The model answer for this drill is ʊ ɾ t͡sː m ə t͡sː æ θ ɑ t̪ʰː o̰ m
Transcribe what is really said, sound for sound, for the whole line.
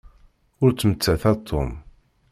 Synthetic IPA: ʊ ɾ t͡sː m ə t͡sː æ θ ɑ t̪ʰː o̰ m